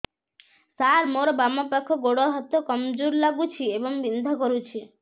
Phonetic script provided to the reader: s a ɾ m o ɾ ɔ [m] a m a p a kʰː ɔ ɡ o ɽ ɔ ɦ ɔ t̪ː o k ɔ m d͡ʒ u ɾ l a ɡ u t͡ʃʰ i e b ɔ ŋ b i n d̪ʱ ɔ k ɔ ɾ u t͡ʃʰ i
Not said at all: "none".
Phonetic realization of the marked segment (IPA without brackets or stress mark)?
b